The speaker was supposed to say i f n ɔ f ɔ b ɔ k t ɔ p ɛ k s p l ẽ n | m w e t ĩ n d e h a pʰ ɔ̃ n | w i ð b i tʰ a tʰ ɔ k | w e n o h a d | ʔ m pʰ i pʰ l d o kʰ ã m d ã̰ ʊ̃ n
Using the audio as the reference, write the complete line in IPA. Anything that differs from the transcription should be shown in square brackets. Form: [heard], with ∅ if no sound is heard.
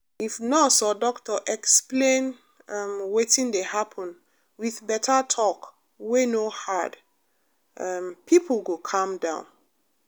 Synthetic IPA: i f n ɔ [s] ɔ [d] ɔ k t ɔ [ʔ] ɛ k s p l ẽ n | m w e t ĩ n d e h a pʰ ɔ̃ n | w i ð b [ɛ] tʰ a tʰ ɔ k | w e n o h a d | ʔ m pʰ i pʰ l [ɡ] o kʰ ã m d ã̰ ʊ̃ n